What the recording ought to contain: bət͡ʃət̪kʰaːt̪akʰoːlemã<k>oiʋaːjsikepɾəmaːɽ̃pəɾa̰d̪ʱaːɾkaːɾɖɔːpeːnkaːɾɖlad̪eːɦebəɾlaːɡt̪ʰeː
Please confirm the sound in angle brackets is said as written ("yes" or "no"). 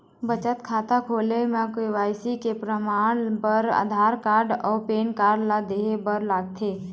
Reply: yes